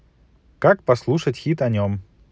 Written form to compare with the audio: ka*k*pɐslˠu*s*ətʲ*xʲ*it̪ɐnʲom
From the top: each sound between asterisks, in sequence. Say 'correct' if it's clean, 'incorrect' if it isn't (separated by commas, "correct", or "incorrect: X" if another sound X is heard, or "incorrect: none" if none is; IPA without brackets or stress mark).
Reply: correct, incorrect: ʂ, correct